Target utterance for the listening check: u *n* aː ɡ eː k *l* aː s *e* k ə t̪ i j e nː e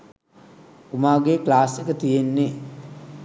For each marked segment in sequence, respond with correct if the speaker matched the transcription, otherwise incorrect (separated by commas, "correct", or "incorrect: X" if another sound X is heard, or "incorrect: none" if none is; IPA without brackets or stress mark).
incorrect: m, correct, correct